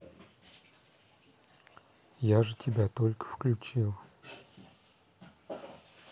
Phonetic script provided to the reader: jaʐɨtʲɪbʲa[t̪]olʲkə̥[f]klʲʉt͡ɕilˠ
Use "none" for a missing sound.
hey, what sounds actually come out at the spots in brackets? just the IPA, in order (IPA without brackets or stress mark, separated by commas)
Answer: t̪, f